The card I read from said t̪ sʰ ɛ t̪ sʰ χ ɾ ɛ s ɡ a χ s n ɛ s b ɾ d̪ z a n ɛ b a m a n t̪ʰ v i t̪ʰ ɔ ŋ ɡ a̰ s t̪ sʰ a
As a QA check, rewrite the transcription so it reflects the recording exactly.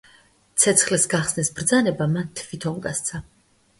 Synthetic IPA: t̪ sʰ ɛ t̪ sʰ χ l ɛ s ɡ a χ s n ɛ s b ɾ d̪ z a n ɛ b a m a n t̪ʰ v i t̪ʰ ɔ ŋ ɡ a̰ s t̪ sʰ a